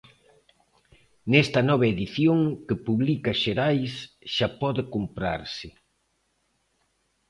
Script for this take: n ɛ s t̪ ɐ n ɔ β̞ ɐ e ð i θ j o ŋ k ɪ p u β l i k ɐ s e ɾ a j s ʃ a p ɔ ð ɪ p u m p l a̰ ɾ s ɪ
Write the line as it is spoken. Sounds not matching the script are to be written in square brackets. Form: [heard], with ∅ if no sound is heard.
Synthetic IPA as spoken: n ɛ s t̪ ɐ n ɔ β̞ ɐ e ð i θ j o ŋ k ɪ p u β l i k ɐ [ʃ] e ɾ a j s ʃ a p ɔ ð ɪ [k] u m p [ɾ] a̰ ɾ s ɪ